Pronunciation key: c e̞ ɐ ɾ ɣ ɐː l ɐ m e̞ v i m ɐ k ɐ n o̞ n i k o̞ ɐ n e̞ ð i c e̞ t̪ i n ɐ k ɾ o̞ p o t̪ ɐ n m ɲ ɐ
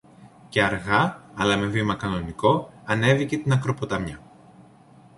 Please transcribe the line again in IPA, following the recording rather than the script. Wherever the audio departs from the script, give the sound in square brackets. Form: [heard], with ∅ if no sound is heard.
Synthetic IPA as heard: c e̞ ɐ ɾ ɣ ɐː l ɐ m e̞ v i m ɐ k ɐ n o̞ n i k o̞ ɐ n e̞ [v] i c e̞ t̪ i n ɐ k ɾ o̞ p o t̪ ɐ [∅] m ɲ ɐ